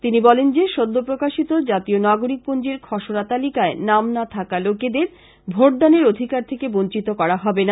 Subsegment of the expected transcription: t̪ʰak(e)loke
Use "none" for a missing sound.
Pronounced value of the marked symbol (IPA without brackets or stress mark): a